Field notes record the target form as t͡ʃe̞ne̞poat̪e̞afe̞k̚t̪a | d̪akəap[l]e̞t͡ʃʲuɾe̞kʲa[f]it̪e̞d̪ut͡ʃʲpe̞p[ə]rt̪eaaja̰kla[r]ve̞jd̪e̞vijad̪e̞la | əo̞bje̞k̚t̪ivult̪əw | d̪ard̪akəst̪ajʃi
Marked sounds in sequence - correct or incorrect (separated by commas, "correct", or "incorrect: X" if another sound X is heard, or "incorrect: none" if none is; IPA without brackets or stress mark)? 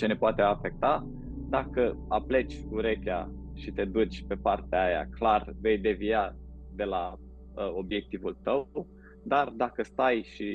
correct, incorrect: ʃ, incorrect: a, correct